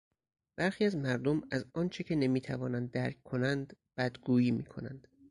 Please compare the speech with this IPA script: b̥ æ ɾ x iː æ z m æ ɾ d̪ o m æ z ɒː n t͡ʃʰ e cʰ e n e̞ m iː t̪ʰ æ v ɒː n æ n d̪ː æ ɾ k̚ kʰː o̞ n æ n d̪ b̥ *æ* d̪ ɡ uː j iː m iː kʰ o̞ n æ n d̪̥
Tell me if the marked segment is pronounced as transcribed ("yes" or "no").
yes